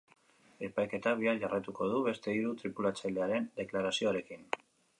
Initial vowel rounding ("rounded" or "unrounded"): unrounded